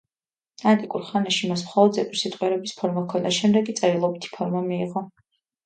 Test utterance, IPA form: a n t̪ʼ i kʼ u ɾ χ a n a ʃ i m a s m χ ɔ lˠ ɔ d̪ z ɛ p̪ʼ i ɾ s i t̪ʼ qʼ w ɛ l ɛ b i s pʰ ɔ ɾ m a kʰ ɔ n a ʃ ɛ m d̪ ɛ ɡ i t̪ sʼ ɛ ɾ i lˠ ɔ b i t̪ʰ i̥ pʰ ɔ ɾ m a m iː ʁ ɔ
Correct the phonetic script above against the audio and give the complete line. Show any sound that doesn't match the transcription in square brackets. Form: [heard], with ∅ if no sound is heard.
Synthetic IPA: a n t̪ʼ i kʼ u ɾ χ a n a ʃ i m a s m χ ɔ lˠ ɔ d̪ z ɛ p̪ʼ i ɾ s i t̪ʼ qʼ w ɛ [ɾ] ɛ b i s pʰ ɔ ɾ m a kʰ ɔ n a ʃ ɛ m d̪ ɛ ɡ i t̪ sʼ ɛ ɾ i lˠ ɔ b i t̪ʰ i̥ pʰ ɔ ɾ m a m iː ʁ ɔ